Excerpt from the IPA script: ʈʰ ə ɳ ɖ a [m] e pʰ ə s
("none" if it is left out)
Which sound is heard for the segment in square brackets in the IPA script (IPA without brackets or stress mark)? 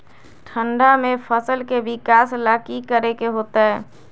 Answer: m